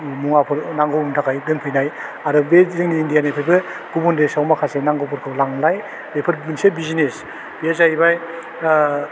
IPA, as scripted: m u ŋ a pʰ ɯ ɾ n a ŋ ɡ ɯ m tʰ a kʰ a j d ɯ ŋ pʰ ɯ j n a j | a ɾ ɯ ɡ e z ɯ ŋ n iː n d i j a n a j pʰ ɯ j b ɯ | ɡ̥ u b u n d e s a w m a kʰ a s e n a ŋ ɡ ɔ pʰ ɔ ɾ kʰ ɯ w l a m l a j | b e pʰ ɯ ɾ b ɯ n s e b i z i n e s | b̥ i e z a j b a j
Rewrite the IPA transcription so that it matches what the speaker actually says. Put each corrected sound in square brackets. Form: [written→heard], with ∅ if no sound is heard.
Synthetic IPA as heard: m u ŋ a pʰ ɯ ɾ n a ŋ ɡ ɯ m tʰ a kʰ a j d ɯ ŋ pʰ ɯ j n a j | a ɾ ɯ [ɡ→b] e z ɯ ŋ n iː n d i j a n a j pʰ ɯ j b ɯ | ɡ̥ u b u n d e s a w m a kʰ a s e n a ŋ ɡ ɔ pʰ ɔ ɾ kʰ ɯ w l a [m→ŋ] l a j | b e pʰ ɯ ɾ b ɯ n s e b i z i n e s | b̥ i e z a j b a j